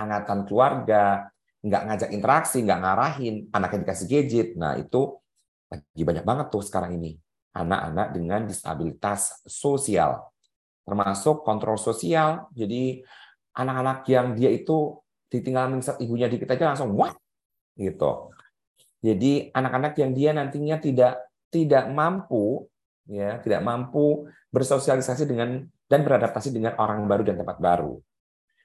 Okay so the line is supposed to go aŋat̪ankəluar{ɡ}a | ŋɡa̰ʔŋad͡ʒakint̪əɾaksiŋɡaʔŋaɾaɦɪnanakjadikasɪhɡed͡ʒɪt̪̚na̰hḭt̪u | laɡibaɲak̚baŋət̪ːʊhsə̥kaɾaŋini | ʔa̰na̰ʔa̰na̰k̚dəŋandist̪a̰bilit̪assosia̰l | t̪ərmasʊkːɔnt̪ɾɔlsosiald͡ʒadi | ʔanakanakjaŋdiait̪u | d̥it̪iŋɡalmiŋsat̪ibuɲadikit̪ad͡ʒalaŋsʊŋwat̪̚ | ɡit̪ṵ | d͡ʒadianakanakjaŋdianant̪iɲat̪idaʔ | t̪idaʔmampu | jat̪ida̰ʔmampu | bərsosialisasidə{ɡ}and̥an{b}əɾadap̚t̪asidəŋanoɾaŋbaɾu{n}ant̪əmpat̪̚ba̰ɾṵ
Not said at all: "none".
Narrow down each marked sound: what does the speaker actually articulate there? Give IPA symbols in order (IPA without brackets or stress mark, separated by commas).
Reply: ɡ, ŋ, b, d